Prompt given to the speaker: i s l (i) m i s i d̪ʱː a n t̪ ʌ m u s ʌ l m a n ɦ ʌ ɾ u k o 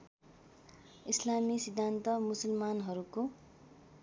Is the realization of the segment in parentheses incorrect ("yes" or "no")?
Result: yes